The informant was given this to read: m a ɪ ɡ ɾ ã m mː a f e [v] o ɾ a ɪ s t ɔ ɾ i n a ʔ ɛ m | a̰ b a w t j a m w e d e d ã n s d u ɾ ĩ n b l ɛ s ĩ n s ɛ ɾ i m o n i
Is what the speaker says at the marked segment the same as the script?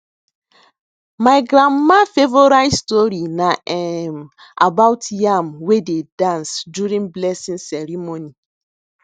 yes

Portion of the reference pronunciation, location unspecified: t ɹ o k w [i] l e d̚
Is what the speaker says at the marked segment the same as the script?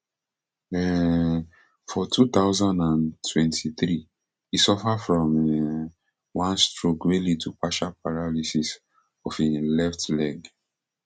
no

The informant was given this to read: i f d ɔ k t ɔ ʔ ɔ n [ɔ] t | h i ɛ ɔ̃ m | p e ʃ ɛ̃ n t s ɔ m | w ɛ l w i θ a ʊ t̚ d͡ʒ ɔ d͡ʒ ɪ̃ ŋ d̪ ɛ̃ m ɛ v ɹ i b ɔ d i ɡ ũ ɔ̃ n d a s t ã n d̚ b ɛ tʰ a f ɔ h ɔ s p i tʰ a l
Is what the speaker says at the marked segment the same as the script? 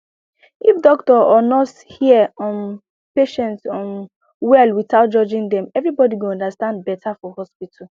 yes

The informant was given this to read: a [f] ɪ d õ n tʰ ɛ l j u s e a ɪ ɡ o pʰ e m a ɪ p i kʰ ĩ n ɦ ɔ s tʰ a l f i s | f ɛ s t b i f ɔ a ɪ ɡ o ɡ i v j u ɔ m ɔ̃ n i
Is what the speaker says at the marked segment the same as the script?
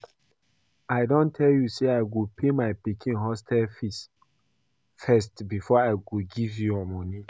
no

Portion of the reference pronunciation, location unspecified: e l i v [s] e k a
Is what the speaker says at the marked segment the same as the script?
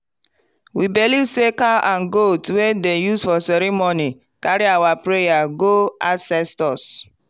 yes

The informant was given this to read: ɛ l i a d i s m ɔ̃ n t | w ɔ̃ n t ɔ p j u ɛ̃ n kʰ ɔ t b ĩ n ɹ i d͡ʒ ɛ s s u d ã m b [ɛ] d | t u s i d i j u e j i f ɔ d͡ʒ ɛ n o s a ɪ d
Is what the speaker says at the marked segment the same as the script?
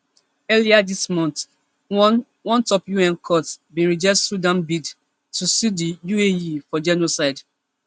no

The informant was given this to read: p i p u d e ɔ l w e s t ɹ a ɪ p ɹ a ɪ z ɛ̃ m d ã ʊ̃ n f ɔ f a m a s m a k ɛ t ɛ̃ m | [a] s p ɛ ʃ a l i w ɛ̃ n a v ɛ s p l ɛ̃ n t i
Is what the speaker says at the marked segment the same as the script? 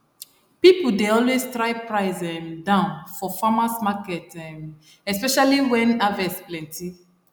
no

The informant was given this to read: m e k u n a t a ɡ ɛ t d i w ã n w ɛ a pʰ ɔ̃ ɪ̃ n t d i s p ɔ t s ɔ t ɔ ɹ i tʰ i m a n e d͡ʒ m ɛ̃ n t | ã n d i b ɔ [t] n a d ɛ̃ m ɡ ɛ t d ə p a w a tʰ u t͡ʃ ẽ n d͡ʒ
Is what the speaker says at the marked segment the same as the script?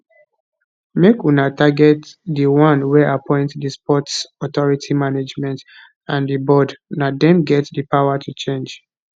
no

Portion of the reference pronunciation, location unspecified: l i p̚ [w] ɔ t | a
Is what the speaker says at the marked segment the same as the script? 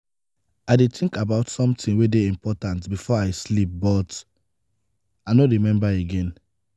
no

